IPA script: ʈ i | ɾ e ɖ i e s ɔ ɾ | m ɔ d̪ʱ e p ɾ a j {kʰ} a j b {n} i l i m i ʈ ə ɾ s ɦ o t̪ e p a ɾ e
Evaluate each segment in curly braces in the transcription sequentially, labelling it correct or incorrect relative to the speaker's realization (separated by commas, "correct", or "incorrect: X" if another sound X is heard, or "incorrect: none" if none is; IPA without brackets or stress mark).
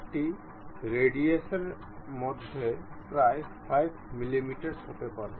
incorrect: pʰ, incorrect: m